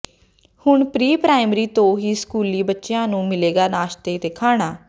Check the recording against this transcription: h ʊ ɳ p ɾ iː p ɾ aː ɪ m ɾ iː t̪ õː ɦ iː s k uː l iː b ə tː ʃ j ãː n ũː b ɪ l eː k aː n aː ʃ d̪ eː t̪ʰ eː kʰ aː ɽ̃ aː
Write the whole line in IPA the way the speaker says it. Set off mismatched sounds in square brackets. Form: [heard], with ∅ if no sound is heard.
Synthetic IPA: h ʊ ɳ p ɾ iː p ɾ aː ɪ m ɾ iː t̪ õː ɦ iː s k uː l iː b ə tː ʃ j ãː n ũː [m] ɪ l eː [ɡ] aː n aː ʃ [t̪] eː [t̪] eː kʰ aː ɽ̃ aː